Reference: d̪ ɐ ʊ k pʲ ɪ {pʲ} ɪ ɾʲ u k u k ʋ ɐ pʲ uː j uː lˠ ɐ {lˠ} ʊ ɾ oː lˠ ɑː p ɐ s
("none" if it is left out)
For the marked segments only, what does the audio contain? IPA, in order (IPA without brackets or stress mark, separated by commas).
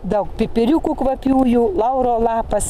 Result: pʲ, none